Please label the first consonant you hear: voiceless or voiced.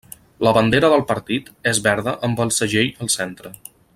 voiced